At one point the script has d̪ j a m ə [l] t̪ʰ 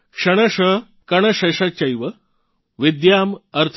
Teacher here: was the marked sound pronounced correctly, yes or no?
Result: no